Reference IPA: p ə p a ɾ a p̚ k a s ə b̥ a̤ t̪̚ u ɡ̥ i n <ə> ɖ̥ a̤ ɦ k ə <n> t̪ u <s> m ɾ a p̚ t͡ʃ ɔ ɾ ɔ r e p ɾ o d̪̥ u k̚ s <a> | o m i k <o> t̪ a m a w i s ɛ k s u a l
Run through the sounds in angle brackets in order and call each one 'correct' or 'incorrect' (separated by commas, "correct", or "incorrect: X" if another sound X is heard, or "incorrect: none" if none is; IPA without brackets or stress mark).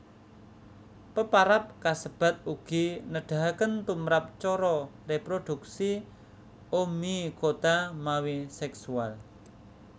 correct, correct, incorrect: none, incorrect: i, correct